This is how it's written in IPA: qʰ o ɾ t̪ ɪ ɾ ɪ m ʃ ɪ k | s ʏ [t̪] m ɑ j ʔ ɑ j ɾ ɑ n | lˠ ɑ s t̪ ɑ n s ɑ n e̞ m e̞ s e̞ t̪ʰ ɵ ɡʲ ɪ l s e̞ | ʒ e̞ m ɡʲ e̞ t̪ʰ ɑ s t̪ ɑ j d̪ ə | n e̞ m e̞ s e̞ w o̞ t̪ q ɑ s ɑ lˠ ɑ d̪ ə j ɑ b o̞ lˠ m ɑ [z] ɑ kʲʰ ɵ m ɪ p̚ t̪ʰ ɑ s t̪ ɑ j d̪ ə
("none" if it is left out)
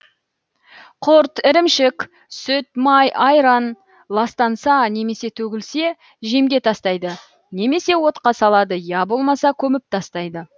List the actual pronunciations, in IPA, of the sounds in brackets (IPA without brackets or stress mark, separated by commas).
t̪, s